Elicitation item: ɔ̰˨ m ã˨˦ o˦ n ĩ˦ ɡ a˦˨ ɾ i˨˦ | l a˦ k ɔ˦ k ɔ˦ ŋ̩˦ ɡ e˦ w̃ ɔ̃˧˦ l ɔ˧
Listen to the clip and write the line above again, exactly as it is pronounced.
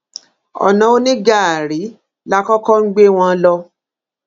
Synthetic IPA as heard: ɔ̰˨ n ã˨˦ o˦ n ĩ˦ ɡ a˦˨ ɾ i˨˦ | l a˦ k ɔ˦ k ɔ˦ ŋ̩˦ ɡ͡b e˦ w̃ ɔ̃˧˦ l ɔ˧